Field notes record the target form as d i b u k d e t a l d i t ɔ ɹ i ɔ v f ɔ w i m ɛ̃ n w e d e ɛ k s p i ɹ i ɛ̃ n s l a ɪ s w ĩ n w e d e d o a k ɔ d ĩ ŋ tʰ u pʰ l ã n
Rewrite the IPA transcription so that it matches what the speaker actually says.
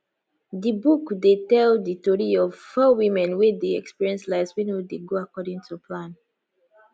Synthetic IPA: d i b u k d e t ɛ l d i t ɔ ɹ i ɔ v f ɔ w i m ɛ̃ n w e d e ɛ k s p i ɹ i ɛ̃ n s l a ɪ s w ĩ n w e d e ɡ o a k ɔ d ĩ ŋ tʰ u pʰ l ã n